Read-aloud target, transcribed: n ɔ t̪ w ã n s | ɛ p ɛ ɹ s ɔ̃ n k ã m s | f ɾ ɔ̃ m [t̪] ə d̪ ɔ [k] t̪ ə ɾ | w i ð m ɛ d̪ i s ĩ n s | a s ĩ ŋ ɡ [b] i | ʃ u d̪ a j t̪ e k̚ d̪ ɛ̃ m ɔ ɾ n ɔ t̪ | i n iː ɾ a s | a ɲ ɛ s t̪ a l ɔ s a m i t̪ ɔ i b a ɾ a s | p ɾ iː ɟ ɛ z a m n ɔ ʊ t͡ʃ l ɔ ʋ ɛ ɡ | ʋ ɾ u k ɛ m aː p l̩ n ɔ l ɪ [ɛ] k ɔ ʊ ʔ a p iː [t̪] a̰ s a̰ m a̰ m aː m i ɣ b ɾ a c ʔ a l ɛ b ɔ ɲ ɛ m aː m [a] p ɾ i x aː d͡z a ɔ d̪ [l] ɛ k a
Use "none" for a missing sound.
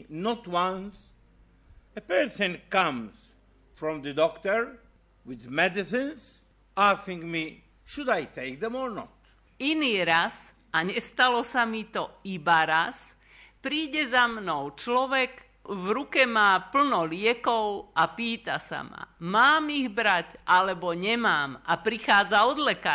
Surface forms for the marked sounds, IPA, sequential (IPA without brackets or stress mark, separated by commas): d̪, k, m, ɛ, t̪, a, l